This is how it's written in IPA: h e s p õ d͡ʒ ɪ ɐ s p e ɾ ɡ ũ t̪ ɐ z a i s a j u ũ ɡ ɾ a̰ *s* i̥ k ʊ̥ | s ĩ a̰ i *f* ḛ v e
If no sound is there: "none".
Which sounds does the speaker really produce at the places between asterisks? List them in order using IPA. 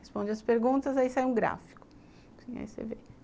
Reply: f, s

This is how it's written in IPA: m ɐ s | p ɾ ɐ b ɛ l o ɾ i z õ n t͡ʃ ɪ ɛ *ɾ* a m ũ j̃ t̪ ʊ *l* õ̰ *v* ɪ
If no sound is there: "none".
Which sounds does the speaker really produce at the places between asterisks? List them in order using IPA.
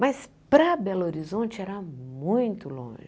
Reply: ɾ, l, ʒ

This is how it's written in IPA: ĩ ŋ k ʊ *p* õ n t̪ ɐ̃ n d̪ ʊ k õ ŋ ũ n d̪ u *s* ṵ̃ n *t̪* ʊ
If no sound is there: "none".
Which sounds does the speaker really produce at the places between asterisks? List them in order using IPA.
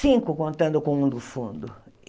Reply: k, f, d̪

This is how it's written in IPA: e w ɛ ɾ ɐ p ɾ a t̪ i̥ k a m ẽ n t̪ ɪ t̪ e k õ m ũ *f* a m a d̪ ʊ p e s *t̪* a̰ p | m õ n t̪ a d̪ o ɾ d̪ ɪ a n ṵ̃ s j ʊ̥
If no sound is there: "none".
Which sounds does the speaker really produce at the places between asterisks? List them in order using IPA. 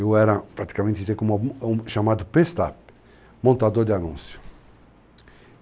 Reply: ʃ, t̪

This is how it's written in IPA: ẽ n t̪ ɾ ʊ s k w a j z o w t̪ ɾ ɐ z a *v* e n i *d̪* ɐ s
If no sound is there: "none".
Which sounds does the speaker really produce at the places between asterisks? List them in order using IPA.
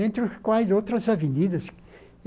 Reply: v, d̪

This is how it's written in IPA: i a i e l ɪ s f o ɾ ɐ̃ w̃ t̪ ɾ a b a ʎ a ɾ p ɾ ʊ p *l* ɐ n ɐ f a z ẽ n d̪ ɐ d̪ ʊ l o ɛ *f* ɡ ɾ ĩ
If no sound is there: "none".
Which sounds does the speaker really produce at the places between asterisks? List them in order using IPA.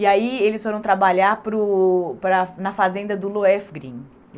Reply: ɾ, f

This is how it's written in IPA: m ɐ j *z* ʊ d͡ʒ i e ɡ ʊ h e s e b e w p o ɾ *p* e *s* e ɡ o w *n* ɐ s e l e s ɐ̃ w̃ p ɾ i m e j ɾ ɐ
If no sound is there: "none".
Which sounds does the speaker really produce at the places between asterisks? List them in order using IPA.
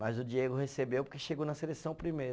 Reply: z, k, ʃ, n

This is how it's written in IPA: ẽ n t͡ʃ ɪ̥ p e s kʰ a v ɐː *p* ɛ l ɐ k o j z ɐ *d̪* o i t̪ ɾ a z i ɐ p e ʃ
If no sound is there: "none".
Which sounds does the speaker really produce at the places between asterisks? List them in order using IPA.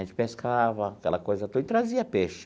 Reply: k, t̪

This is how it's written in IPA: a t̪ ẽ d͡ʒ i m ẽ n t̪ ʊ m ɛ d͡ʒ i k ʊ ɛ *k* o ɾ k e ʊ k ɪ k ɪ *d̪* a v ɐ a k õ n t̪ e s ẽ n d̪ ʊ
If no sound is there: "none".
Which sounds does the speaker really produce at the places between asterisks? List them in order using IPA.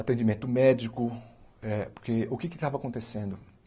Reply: p, t̪

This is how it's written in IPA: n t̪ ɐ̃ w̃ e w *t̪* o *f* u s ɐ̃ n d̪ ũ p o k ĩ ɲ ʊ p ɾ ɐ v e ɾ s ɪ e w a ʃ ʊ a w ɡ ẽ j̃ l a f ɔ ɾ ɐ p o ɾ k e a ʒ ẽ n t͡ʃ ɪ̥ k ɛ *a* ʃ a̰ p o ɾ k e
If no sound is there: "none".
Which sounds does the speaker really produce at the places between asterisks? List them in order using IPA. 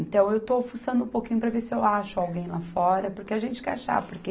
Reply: t̪, f, a

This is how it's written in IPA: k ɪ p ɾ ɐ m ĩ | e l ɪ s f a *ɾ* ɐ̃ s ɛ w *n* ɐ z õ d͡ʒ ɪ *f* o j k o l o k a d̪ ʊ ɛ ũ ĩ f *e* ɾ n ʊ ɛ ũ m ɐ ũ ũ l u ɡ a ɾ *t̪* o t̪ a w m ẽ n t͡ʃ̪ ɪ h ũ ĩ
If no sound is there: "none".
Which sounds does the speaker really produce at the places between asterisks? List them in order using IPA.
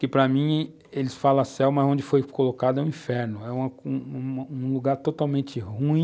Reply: l, m, f, ɛ, t̪

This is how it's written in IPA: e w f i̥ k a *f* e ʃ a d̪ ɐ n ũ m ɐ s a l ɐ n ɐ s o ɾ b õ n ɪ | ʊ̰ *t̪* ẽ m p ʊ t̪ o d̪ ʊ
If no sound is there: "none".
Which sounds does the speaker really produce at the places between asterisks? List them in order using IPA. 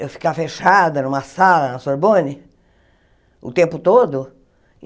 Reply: f, t̪

